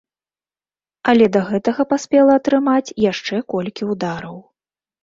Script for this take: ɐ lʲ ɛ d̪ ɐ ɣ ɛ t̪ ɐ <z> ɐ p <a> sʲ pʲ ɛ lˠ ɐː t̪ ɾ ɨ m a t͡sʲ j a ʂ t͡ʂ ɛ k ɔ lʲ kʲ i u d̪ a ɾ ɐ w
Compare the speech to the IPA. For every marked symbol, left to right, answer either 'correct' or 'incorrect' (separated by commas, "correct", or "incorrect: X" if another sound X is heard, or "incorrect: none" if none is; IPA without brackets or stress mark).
incorrect: ɣ, correct